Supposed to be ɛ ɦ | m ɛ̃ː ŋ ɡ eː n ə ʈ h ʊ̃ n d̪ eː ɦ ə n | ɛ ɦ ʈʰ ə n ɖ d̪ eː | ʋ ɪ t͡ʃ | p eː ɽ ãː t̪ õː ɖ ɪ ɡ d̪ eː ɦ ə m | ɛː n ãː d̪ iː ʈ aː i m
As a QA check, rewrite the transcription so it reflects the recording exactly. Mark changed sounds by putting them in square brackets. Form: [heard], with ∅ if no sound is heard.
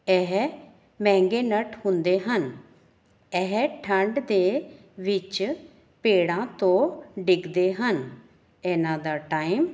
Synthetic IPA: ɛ ɦ | m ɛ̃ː ŋ ɡ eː n ə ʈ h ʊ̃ n d̪ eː ɦ ə n | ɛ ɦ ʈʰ ə [ɳ] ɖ d̪ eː | ʋ ɪ t͡ʃ | p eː ɽ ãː t̪ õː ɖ ɪ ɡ d̪ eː ɦ ə [n] | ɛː n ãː d̪ [aː] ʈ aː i m

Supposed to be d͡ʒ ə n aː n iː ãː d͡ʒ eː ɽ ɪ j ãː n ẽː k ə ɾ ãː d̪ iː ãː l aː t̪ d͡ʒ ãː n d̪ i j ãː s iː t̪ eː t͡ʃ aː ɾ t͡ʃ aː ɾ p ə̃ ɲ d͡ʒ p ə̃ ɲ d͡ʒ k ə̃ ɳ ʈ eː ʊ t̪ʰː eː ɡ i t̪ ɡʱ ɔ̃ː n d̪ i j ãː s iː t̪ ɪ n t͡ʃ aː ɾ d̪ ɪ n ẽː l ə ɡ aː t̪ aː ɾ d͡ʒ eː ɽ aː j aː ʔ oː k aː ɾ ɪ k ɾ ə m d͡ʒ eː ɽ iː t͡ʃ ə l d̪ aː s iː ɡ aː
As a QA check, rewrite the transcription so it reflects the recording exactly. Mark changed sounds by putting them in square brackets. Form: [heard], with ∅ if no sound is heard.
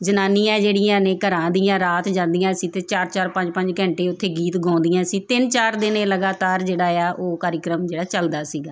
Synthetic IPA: d͡ʒ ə n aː n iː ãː d͡ʒ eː ɽ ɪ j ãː n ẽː k ə ɾ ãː d̪ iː ãː [ɾ] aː t̪ d͡ʒ ãː n d̪ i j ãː s iː t̪ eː t͡ʃ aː ɾ t͡ʃ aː ɾ p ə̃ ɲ d͡ʒ p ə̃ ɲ d͡ʒ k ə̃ ɳ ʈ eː ʊ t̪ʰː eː ɡ [iː] t̪ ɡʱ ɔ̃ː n d̪ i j ãː s iː t̪ ɪ n t͡ʃ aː ɾ d̪ ɪ n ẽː l ə ɡ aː t̪ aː ɾ d͡ʒ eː ɽ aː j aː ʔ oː k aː ɾ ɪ k ɾ ə m d͡ʒ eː ɽ [aː] t͡ʃ ə l d̪ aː s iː ɡ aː

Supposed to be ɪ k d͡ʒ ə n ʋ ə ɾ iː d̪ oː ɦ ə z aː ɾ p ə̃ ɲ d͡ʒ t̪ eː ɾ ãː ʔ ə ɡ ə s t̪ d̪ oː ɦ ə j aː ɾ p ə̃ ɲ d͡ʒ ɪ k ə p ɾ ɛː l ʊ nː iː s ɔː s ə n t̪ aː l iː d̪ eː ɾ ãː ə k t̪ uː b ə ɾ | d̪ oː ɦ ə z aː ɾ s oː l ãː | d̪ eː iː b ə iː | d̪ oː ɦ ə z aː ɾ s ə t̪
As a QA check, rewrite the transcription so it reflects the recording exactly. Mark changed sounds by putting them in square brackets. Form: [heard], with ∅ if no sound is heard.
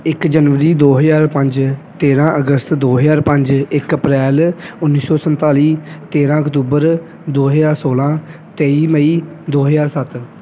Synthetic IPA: ɪ k d͡ʒ ə n ʋ ə ɾ iː d̪ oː ɦ ə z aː ɾ p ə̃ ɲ d͡ʒ t̪ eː ɾ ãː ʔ ə ɡ ə s t̪ d̪ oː ɦ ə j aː ɾ p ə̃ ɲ d͡ʒ ɪ k ə p ɾ ɛː l ʊ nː iː s ɔː s ə n t̪ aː l iː [t̪] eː ɾ ãː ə k t̪ uː b ə ɾ | d̪ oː ɦ ə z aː ɾ s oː l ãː | [t̪] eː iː [m] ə iː | d̪ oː ɦ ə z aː ɾ s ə t̪

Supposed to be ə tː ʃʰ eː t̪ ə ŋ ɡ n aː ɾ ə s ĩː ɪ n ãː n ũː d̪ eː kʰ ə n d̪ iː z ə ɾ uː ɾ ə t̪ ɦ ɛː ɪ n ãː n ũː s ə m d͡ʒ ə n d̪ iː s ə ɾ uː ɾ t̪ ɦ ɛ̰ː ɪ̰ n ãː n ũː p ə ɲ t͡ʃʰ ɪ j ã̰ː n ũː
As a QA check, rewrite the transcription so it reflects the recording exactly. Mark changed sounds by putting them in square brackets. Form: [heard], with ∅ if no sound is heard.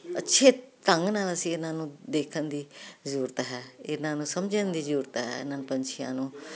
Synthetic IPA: ə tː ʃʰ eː t̪ ə ŋ ɡ n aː [l] ə s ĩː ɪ n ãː n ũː d̪ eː kʰ ə n d̪ iː z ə ɾ uː ɾ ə t̪ ɦ ɛː ɪ n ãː n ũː s ə m d͡ʒ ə n d̪ iː [z] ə ɾ uː ɾ t̪ ɦ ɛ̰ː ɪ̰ n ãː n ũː p ə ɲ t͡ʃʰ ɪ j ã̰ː n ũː

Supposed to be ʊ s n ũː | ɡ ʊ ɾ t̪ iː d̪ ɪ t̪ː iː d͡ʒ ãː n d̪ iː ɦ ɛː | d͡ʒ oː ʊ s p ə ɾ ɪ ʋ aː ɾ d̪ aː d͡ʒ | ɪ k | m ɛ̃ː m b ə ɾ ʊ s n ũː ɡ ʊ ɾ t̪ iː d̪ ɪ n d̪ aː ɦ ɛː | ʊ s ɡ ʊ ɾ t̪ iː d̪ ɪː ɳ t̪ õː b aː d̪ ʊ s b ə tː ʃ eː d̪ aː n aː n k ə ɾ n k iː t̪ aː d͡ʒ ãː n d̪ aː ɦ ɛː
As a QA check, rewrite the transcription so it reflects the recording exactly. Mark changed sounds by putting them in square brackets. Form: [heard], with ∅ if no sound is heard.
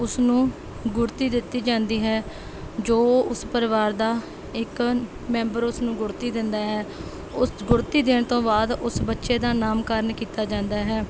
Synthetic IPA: ʊ s n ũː | ɡ ʊ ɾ t̪ iː d̪ ɪ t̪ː iː d͡ʒ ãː n d̪ iː ɦ ɛː | d͡ʒ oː ʊ s p ə ɾ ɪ ʋ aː ɾ d̪ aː [∅] | ɪ k | m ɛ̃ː m b ə ɾ ʊ s n ũː ɡ ʊ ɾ t̪ iː d̪ ɪ n d̪ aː ɦ ɛː | ʊ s ɡ ʊ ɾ t̪ iː d̪ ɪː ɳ t̪ õː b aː d̪ ʊ s b ə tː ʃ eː d̪ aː n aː [m] k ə ɾ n k iː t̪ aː d͡ʒ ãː n d̪ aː ɦ ɛː

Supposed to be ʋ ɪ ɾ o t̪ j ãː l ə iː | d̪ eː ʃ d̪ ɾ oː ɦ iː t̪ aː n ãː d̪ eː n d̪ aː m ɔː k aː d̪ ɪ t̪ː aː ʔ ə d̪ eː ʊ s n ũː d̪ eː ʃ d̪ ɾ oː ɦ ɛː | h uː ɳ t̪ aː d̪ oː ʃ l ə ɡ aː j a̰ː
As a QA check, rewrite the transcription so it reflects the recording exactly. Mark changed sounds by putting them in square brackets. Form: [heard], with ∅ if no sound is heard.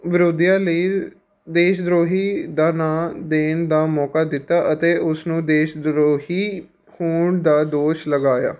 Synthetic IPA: ʋ ɪ ɾ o [d̪] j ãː l ə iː | d̪ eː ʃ d̪ ɾ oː ɦ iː [d̪] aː n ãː d̪ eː n d̪ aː m ɔː k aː d̪ ɪ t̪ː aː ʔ ə [t̪] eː ʊ s n ũː d̪ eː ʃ d̪ ɾ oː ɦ [iː] | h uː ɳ [d̪] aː d̪ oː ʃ l ə ɡ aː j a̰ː

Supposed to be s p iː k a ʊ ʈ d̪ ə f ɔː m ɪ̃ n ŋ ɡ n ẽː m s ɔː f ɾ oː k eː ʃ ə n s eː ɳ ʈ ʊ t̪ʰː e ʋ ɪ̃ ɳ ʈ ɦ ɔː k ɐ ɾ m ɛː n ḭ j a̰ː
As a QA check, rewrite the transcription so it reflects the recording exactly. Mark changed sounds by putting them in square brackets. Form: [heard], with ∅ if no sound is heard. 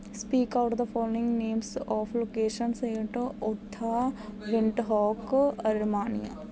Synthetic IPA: s p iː k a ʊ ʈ d̪ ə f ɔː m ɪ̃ [∅] ŋ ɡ n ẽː m s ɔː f [l] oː k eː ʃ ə n s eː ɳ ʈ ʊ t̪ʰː [a] ʋ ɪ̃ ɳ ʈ ɦ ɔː k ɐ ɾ m [aː] n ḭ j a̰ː

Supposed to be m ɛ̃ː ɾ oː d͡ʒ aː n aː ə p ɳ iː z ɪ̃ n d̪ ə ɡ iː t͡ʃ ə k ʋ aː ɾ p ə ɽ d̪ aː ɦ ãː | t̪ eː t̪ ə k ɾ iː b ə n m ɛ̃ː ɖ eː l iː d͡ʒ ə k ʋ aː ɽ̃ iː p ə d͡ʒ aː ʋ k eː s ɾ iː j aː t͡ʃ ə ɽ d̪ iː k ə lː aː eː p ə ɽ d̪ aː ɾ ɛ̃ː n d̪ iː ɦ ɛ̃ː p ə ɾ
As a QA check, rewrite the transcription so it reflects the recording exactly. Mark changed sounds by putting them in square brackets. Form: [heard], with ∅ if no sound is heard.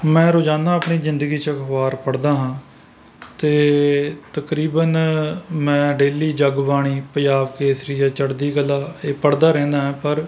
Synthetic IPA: m ɛ̃ː ɾ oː d͡ʒ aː n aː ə p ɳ iː z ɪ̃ n d̪ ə ɡ iː t͡ʃ ə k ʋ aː ɾ p ə ɽ d̪ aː ɦ ãː | t̪ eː t̪ ə k ɾ iː b ə n m ɛ̃ː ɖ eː l iː d͡ʒ ə [ɡ] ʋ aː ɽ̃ iː p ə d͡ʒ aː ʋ k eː s ɾ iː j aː t͡ʃ ə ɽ d̪ iː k ə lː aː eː p ə ɽ d̪ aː ɾ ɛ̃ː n d̪ [aː] ɦ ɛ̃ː p ə ɾ

